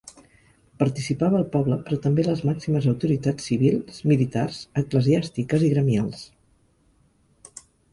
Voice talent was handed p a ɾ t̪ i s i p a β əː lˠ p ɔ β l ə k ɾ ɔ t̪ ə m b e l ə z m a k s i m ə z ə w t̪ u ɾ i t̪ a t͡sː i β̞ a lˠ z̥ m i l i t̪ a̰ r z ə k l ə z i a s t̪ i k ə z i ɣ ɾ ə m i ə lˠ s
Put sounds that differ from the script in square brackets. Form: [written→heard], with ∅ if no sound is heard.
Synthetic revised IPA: p [a→ə] ɾ t̪ i s i p a β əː lˠ p ɔ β l ə [k→p] ɾ ɔ t̪ ə m b e l ə z m a k s i m ə z ə w t̪ u ɾ i t̪ a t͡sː i β̞ [a→i] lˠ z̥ m i l i t̪ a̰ r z ə k l ə z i a s t̪ i k ə z i ɣ ɾ ə m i [ə→a] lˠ s